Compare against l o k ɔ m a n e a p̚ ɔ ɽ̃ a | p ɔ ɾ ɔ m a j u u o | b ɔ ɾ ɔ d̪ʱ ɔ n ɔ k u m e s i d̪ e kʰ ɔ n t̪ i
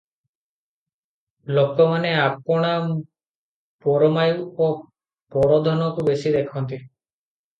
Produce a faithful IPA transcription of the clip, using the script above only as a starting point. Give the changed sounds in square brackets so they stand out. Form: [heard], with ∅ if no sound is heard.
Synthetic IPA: l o k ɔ m a n e a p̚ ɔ ɽ̃ a | p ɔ ɾ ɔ m a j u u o | [p] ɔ ɾ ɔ d̪ʱ ɔ n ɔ k u [b] e s i d̪ e kʰ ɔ n t̪ i